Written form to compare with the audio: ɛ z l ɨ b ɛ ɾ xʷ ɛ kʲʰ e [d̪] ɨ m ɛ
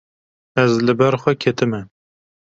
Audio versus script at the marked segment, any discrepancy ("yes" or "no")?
yes